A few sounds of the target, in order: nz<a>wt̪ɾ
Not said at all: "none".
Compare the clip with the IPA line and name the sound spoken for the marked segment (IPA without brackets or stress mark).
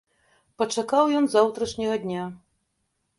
a